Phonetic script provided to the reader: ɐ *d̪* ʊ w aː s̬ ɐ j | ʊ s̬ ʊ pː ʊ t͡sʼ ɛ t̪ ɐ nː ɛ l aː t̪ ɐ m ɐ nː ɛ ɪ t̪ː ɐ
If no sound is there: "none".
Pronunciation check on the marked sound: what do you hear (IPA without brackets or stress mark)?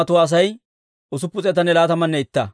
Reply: t̪